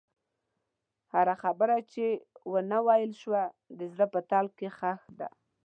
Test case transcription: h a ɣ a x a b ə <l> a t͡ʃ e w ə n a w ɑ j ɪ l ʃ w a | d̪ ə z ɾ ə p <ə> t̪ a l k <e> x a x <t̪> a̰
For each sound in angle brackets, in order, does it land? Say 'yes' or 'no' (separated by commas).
no, yes, yes, no